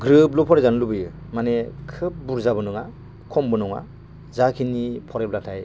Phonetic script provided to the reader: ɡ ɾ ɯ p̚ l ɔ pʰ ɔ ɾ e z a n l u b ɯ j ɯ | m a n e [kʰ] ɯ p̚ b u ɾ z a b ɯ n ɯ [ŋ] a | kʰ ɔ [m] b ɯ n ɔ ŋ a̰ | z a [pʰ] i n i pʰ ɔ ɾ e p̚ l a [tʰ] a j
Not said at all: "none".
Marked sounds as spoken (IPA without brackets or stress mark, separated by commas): kʰ, ŋ, m, kʰ, tʰ